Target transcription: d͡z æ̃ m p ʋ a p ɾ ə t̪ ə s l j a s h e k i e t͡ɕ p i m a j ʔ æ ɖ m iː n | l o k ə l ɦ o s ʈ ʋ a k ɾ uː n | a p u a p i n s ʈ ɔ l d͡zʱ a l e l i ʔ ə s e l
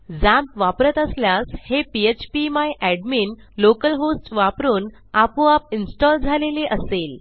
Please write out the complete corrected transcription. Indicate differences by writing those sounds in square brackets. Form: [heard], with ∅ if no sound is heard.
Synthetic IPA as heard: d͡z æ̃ m p ʋ a p ɾ ə t̪ ə s l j a s h e [p] i e t͡ɕ p i m a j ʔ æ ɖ m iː n | l o k ə l ɦ o s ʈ ʋ a [p] ɾ uː n | a p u a p i n s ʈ ɔ l d͡zʱ a l e l [e] ʔ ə s e l

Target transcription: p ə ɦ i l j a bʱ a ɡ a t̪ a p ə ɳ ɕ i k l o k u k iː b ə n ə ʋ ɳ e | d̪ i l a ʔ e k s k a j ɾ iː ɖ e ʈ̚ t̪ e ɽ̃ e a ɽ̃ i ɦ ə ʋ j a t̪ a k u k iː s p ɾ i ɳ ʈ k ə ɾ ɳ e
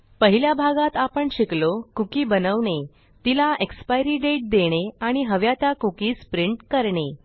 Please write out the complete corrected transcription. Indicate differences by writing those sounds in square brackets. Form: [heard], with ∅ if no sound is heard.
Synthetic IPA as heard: p ə ɦ i l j a bʱ a ɡ a t̪ a p ə ɳ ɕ i k l o k u k iː b ə n ə ʋ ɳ e | [t̪] i l a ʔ e k s [p] a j ɾ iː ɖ e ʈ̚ [d̪] e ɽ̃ e a ɽ̃ i ɦ ə ʋ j a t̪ a k u k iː s p ɾ i ɳ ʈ k ə ɾ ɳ e

